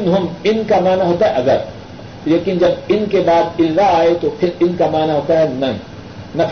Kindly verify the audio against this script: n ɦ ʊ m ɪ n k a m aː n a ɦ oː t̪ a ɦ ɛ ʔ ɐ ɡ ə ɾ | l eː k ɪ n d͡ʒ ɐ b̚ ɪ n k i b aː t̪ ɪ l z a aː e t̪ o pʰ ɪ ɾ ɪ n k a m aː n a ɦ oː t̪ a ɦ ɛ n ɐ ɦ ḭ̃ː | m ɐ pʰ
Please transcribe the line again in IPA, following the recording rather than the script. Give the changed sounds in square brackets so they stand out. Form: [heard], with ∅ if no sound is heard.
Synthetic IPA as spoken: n ɦ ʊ m ɪ n k a m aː n a ɦ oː t̪ a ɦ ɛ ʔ ɐ ɡ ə ɾ | l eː k ɪ n d͡ʒ ɐ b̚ ɪ n k [e] b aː [d̪] ɪ l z a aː e t̪ o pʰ ɪ ɾ ɪ n k a m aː n a ɦ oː t̪ a ɦ ɛ n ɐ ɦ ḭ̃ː | [n] ɐ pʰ